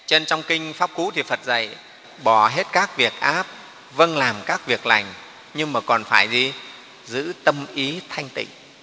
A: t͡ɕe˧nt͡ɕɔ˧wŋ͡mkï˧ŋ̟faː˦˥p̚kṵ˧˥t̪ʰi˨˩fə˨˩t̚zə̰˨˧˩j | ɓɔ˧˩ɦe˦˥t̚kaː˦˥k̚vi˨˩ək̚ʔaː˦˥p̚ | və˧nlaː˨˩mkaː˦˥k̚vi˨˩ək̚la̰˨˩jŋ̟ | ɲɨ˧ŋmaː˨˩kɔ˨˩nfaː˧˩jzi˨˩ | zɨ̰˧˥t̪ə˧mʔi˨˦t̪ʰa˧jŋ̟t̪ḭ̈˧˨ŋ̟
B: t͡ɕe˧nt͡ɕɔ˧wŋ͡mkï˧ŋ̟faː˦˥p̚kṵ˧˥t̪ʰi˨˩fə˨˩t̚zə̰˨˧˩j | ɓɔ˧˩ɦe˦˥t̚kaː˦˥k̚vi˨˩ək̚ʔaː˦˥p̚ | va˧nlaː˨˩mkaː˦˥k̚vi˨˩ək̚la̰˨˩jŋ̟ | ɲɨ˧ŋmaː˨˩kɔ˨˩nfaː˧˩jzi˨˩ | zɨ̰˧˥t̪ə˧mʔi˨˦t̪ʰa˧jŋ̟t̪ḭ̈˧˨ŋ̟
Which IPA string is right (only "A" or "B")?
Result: A